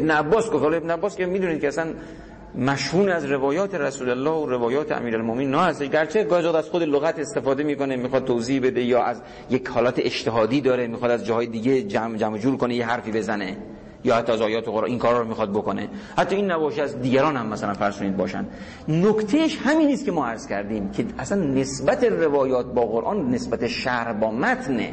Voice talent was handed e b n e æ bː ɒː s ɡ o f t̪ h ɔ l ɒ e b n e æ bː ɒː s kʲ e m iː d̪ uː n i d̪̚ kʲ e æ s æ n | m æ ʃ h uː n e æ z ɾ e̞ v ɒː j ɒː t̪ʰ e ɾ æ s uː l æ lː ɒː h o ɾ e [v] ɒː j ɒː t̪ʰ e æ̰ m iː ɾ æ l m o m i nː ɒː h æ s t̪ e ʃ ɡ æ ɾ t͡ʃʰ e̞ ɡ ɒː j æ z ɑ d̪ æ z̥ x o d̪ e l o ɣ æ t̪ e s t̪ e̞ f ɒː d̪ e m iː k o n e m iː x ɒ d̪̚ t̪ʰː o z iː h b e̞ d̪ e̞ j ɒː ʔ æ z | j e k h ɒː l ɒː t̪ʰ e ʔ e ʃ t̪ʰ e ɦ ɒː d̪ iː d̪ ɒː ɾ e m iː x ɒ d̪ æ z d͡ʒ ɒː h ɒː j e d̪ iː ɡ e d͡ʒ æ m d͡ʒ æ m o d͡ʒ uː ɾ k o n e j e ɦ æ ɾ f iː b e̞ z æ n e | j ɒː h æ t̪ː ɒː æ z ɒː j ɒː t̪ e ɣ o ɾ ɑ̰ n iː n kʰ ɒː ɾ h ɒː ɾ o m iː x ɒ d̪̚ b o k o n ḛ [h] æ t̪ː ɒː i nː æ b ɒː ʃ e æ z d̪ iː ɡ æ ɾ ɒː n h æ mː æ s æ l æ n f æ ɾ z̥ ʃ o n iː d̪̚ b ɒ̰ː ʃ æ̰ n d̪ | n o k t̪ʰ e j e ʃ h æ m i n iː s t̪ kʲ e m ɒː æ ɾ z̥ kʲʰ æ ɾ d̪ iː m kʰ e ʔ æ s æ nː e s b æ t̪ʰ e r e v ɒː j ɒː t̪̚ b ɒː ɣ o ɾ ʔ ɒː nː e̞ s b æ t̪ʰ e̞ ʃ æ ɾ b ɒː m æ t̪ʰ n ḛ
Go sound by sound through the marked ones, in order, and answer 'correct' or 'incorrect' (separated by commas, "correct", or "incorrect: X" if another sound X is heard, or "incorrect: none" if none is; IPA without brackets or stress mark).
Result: correct, correct